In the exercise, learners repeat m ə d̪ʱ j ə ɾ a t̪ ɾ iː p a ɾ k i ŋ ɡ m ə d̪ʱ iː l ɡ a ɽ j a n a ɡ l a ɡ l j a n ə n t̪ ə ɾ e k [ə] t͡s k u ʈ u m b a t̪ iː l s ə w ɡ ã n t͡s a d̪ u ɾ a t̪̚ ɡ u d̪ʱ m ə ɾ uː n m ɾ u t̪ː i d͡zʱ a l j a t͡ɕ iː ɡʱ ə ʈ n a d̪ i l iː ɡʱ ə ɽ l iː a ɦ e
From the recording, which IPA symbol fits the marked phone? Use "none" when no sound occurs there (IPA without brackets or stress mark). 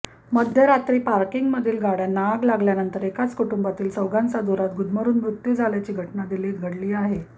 a